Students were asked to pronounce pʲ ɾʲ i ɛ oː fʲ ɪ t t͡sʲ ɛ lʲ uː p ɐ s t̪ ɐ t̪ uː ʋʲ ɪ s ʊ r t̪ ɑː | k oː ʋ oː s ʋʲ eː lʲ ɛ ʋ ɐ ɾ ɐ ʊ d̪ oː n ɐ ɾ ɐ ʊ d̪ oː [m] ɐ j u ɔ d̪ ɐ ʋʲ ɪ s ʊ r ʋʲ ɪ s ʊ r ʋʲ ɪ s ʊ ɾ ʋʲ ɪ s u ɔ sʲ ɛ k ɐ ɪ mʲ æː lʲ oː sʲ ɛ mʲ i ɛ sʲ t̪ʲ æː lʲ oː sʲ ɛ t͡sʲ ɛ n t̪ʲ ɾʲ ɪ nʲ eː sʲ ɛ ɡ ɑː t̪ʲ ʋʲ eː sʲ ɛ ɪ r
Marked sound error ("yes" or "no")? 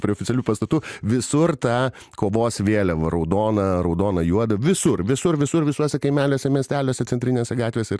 yes